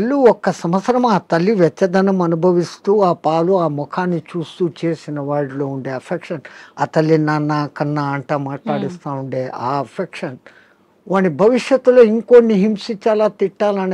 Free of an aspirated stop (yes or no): no